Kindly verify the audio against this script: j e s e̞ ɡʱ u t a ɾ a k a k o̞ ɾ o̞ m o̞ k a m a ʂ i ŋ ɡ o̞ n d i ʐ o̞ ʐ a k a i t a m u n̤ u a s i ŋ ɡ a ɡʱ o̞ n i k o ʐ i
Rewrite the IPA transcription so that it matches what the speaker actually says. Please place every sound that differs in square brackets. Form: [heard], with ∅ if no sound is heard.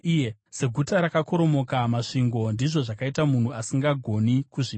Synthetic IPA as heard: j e s e̞ ɡʱ u t a ɾ a k a k o̞ ɾ o̞ m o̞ k a m a ʂ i ŋ ɡ o̞ n d i ʐ o̞ ʐ a k a i t a m u n̤ u a s i ŋ ɡ a ɡʱ o̞ n i k [u] ʐ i